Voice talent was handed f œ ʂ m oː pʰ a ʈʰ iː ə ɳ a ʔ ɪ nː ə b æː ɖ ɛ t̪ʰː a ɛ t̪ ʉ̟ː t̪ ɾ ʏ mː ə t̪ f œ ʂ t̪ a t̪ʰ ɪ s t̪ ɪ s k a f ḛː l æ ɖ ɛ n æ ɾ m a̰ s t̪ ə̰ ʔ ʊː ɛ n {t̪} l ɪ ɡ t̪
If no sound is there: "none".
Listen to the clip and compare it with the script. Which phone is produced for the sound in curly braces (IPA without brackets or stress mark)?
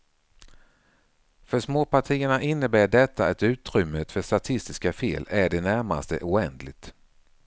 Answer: d̪